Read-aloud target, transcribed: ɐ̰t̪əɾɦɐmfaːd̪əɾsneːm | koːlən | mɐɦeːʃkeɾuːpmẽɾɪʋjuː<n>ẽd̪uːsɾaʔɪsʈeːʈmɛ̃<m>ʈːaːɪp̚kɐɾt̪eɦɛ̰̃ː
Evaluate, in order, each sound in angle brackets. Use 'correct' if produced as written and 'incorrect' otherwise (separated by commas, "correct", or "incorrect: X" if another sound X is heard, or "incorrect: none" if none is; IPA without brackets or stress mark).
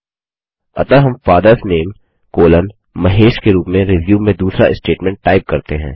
incorrect: m, incorrect: ɳ